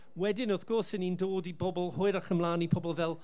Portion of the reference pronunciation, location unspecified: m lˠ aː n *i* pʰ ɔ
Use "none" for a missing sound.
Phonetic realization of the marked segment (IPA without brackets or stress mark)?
i